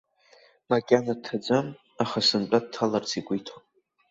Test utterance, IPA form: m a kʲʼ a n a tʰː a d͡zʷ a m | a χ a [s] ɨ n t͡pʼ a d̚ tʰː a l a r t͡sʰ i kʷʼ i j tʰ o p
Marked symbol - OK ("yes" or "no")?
yes